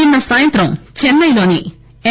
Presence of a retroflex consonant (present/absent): absent